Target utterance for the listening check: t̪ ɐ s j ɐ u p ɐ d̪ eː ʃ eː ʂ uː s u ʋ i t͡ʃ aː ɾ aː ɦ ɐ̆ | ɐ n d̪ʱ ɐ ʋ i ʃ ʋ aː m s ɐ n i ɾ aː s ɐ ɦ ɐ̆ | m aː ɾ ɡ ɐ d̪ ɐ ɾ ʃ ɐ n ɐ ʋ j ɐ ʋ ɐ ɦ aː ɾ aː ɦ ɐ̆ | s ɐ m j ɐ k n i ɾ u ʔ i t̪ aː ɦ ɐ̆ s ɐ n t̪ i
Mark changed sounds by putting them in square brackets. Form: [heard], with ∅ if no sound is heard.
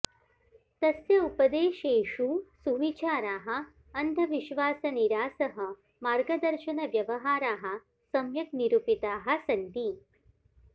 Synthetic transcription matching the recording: t̪ ɐ s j ɐ u p ɐ d̪ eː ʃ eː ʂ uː s u ʋ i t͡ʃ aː ɾ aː ɦ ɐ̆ | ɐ n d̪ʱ ɐ ʋ i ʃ ʋ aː [∅] s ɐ n i ɾ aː s ɐ ɦ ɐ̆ | m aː ɾ ɡ ɐ d̪ ɐ ɾ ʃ ɐ n ɐ ʋ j ɐ ʋ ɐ ɦ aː ɾ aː ɦ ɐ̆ | s ɐ m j ɐ k n i ɾ u [p] i t̪ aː ɦ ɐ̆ s ɐ n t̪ i